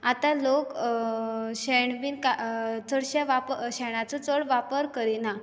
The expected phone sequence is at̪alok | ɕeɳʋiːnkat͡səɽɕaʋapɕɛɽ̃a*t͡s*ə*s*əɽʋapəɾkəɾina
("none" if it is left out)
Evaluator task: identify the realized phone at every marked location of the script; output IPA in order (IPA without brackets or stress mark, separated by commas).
t͡s, t͡s